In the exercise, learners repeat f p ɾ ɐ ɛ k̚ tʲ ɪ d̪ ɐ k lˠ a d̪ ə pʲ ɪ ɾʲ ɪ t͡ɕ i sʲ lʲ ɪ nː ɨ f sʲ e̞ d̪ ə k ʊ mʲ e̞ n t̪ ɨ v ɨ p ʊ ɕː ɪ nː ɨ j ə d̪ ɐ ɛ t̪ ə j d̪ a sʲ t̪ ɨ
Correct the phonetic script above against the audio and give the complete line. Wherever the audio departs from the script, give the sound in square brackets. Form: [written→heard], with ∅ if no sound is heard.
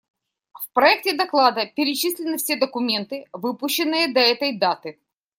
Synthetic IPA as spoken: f p ɾ ɐ ɛ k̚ tʲ ɪ d̪ ɐ k lˠ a d̪ ə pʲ ɪ ɾʲ ɪ t͡ɕ i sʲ lʲ ɪ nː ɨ f sʲ e̞ d̪ ə k ʊ mʲ e̞ n t̪ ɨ v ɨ p ʊ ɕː ɪ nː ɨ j ə d̪ ɐ ɛ t̪ ə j d̪ a [sʲ→∅] t̪ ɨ